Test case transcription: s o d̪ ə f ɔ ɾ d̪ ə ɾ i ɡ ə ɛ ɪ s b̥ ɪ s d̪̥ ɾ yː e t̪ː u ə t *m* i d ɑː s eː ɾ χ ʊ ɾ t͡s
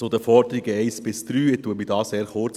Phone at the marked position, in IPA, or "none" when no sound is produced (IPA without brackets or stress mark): m